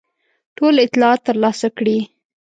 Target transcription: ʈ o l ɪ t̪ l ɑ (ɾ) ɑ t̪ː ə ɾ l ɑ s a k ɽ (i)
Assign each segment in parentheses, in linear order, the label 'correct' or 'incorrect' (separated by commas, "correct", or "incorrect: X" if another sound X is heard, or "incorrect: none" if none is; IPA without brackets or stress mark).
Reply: incorrect: none, correct